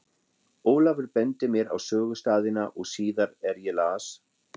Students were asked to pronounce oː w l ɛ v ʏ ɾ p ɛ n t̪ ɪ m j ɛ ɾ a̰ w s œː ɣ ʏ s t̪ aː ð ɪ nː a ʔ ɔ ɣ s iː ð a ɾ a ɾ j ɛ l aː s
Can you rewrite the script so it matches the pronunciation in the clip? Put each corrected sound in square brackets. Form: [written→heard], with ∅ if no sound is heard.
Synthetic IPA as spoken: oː w l [ɛ→a] v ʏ ɾ p ɛ n t̪ ɪ m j ɛ ɾ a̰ w s œː ɣ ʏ s t̪ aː ð ɪ [nː→n] a ʔ ɔ ɣ s iː ð a ɾ [a→ɛ] ɾ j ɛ l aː s